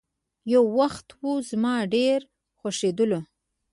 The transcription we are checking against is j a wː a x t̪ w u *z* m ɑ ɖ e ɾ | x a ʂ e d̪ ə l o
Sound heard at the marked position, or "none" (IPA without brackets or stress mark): z